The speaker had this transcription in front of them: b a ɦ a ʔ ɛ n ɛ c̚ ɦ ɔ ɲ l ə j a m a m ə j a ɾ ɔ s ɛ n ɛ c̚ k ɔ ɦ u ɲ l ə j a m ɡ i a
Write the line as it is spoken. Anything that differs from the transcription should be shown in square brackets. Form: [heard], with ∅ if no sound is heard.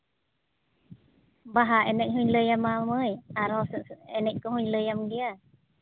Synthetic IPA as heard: b a ɦ a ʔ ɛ n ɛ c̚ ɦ [u] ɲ l ə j a m a m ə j a ɾ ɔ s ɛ n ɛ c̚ k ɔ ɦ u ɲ l ə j a m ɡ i a